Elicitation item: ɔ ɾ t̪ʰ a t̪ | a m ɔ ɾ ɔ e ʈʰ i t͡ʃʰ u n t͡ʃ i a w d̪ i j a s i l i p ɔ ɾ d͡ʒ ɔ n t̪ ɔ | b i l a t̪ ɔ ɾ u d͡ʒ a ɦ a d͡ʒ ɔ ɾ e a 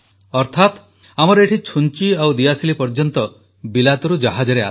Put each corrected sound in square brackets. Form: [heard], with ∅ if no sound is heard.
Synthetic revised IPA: ɔ ɾ t̪ʰ a t̪ | a m ɔ ɾ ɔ e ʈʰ i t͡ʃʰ u n t͡ʃ i a w d̪ i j a s i l i p ɔ ɾ d͡ʒ ɔ n t̪ ɔ | b i l a t̪ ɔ ɾ u d͡ʒ a ɦ a d͡ʒ ɔ ɾ e a